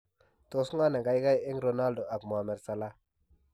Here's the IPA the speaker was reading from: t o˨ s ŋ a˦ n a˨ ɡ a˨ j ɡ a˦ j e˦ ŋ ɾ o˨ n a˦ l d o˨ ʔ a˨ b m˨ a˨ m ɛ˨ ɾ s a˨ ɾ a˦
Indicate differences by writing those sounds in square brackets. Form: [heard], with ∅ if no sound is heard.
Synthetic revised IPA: t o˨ s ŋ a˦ n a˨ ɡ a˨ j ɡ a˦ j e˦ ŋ ɾ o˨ n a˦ l d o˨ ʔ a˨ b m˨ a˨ m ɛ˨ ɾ s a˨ [l] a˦